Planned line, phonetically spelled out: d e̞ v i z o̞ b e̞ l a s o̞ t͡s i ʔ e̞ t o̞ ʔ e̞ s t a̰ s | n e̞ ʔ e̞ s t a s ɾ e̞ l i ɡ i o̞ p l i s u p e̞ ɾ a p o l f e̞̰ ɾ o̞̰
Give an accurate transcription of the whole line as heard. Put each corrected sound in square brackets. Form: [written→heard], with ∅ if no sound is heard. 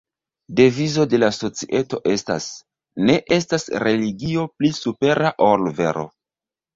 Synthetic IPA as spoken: d e̞ v i z o̞ [b→d] e̞ l a s o̞ t͡s i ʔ e̞ t o̞ ʔ e̞ s t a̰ s | n e̞ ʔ e̞ s t a s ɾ e̞ l i ɡ i o̞ p l i s u p e̞ ɾ a [p→ʔ] o l [f→v] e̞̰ ɾ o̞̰